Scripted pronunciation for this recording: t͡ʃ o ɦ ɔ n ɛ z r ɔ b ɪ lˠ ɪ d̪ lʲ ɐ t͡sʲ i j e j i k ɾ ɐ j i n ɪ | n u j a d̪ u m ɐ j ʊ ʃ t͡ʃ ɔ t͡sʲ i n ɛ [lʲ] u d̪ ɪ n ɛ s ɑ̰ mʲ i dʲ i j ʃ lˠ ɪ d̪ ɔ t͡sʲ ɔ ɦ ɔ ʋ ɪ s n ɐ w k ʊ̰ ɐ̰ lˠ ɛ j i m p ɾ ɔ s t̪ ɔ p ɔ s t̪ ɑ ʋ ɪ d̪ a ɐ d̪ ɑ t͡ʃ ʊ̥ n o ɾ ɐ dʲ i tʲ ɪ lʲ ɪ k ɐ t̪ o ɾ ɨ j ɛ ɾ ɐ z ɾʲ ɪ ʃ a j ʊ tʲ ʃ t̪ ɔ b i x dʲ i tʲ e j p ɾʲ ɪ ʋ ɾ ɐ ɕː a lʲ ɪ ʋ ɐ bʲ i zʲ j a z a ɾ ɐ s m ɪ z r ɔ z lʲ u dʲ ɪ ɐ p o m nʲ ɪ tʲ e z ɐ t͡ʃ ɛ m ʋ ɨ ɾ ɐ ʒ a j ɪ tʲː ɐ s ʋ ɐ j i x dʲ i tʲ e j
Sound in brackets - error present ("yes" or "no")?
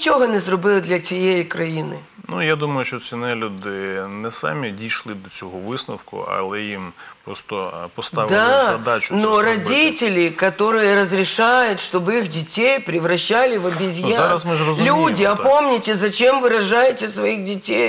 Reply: no